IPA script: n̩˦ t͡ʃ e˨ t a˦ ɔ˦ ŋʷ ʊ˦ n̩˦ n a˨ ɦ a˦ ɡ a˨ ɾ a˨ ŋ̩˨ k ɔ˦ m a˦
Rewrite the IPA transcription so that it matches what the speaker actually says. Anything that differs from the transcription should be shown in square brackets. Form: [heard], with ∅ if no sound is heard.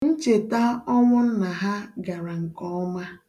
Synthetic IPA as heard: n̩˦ t͡ʃ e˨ t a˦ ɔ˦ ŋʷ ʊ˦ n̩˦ n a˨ ɦ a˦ ɡ a˨ ɾ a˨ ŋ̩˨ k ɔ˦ m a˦